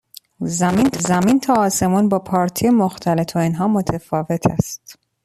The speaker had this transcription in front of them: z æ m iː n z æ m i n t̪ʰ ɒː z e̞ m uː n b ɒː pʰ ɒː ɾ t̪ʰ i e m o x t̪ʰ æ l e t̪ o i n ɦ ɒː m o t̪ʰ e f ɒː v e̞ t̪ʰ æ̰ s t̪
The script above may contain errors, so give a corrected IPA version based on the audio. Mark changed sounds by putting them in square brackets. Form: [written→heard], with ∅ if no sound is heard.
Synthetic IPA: z æ m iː n z æ m i n t̪ʰ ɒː [z→s] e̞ m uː n b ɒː pʰ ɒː ɾ t̪ʰ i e m o x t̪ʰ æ l e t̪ o i n ɦ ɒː m o t̪ʰ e f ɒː v e̞ t̪ʰ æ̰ s t̪